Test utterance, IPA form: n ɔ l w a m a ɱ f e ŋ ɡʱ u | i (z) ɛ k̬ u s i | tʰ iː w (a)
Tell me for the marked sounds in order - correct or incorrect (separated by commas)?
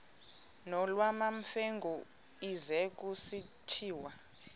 correct, correct